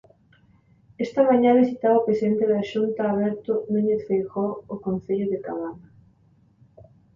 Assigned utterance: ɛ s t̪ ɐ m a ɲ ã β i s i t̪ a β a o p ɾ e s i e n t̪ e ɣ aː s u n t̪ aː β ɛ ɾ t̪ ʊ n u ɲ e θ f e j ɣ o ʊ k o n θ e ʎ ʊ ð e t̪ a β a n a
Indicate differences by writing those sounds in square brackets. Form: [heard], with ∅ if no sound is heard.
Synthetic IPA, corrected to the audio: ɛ s t̪ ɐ m a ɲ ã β i s i t̪ a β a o p ɾ e s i e n t̪ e [ð] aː [ʃ] u n t̪ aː β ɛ ɾ t̪ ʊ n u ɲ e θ f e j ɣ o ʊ k o n θ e ʎ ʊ ð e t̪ a β a n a